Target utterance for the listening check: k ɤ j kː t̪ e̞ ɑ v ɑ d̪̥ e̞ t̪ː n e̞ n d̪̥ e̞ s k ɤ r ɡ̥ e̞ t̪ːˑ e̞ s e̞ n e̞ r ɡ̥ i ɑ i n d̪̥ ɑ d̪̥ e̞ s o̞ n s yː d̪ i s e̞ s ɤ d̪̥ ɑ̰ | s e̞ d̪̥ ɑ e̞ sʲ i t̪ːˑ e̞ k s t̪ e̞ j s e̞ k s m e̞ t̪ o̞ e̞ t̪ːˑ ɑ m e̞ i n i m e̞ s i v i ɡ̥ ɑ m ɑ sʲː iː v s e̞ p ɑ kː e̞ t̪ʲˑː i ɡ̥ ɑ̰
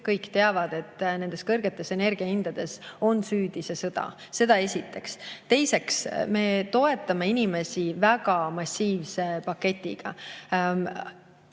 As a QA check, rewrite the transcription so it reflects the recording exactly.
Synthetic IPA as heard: k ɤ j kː t̪ e̞ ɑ v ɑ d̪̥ e̞ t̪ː n e̞ n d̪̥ e̞ s k ɤ r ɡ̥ e̞ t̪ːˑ e̞ s e̞ n e̞ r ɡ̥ i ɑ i n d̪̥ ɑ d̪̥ e̞ s o̞ n s yː d̪ i s e̞ s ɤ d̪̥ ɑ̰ | s e̞ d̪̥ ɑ e̞ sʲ i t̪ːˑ e̞ k s t̪ e̞ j s e̞ k s m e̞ t̪ o̞ e̞ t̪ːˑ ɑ m e̞ i n i m e̞ s i v æ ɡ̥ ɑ m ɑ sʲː iː v s e̞ p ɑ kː e̞ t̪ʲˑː i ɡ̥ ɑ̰